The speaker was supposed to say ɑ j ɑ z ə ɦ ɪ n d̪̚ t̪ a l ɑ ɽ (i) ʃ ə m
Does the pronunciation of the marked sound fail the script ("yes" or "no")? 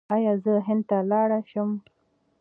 yes